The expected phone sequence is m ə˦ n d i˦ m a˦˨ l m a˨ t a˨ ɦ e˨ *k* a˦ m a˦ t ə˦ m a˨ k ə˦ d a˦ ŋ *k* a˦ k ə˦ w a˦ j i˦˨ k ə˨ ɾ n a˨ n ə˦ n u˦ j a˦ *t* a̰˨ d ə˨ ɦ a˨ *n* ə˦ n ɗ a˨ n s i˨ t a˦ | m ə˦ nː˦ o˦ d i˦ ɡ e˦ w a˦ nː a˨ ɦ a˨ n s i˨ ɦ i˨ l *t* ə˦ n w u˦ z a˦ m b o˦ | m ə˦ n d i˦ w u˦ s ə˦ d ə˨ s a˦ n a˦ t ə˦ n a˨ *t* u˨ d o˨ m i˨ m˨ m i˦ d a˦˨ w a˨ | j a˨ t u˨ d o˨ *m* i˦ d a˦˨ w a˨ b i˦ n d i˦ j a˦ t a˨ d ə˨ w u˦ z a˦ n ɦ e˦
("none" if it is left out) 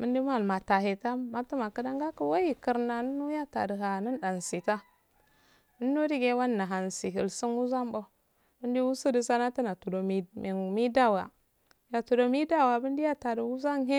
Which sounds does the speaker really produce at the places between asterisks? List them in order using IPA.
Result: t, ɡ, t, n, s, t, m

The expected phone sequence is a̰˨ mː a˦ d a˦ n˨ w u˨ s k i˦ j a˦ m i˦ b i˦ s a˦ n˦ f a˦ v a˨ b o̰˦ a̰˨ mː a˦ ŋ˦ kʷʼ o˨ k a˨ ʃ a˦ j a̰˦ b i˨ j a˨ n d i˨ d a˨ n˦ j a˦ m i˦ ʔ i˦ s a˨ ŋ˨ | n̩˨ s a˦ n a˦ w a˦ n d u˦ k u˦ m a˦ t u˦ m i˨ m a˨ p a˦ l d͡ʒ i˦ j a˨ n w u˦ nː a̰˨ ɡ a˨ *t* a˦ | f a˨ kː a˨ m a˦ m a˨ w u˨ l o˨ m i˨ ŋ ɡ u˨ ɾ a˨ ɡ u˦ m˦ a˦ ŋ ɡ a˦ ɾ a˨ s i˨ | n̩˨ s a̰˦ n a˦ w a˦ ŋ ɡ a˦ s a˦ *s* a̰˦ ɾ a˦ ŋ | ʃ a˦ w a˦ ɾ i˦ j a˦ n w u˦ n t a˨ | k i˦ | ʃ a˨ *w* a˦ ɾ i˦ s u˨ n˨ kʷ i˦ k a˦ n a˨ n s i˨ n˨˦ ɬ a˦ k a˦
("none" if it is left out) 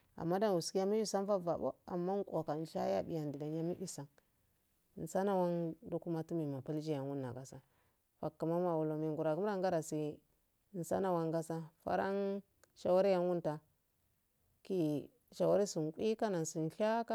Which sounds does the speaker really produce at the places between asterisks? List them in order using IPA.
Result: s, f, w

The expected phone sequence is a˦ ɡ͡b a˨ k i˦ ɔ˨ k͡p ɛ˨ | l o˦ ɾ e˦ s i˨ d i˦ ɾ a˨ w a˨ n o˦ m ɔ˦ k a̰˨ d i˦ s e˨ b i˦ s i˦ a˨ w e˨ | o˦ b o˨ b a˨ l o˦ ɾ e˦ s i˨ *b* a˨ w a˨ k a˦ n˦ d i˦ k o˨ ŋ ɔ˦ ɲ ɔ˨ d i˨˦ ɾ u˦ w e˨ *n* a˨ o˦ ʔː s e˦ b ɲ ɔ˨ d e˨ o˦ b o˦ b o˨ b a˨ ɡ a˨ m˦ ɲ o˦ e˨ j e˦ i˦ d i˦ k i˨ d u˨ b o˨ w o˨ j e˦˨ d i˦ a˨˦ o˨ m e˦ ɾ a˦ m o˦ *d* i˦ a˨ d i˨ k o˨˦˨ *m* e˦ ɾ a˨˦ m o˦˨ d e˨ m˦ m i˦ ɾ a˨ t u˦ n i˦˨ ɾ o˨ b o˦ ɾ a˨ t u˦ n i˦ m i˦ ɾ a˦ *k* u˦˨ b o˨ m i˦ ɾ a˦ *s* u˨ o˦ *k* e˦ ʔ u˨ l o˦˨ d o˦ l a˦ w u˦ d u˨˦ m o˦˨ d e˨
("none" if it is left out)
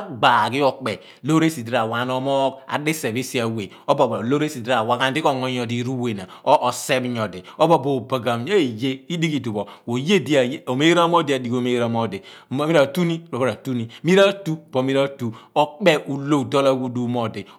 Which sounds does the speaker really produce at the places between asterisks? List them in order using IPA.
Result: d, n, d, m, t, t, k͡p

